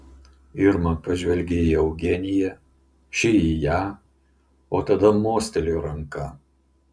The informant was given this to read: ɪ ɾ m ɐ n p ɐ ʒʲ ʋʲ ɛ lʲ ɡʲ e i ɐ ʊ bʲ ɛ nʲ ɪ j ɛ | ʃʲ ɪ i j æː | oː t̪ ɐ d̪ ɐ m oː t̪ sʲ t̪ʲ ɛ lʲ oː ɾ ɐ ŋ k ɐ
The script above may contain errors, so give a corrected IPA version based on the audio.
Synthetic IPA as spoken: ɪ ɾ m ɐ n p ɐ ʒʲ ʋʲ ɛ lʲ ɡʲ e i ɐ ʊ ɡʲ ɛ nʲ ɪ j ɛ | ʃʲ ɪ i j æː | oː t̪ ɐ d̪ ɐ m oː sʲ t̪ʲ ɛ lʲ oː ɾ ɐ ŋ k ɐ